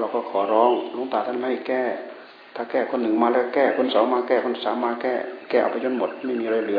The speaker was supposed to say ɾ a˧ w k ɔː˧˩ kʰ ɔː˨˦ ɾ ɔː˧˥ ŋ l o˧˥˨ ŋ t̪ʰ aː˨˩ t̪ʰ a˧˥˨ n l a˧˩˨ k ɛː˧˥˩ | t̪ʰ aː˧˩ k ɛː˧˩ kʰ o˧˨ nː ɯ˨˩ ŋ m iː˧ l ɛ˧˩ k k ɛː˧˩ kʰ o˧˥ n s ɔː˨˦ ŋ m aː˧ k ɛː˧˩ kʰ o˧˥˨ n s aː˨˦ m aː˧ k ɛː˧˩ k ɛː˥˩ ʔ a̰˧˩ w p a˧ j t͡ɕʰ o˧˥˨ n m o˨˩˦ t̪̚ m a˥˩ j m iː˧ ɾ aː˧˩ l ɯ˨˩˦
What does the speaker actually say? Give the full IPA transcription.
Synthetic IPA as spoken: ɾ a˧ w k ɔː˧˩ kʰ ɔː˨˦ ɾ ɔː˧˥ ŋ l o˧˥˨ ŋ t̪ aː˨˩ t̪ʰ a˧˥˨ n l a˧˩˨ k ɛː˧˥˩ | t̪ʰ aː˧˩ k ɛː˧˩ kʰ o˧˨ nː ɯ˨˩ ŋ m aː˧ l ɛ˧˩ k k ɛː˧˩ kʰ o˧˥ n s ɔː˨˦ ŋ m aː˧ k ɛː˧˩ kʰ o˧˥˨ n s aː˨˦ m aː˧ k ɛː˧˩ k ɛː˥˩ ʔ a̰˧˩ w p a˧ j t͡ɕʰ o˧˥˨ n m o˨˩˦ t̪̚ m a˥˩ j m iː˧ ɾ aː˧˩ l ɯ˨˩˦